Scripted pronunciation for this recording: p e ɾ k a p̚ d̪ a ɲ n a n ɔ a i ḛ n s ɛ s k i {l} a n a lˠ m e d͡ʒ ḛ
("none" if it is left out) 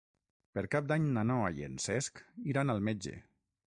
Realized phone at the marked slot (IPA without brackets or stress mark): ɾ